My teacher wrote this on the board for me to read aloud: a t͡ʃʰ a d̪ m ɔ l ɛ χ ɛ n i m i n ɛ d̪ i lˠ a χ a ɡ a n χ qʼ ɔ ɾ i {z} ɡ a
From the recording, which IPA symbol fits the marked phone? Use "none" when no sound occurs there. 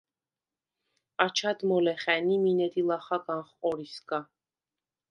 s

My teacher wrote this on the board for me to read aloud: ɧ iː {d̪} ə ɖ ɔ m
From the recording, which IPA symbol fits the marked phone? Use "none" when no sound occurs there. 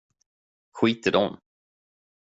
t̪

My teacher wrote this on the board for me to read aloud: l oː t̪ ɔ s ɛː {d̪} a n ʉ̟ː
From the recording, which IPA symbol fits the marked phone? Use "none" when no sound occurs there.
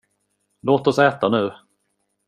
t̪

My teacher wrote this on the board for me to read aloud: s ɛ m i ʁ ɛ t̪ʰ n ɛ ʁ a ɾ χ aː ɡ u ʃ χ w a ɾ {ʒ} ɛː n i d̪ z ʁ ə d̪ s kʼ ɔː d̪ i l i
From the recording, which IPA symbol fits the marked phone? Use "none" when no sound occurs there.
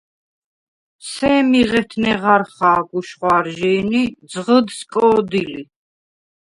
ʒ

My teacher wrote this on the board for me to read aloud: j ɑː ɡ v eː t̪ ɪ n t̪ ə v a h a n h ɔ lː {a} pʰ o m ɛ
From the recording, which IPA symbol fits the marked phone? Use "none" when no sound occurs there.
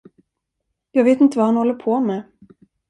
ə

